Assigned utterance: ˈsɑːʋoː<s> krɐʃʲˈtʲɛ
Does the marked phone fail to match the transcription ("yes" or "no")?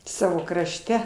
yes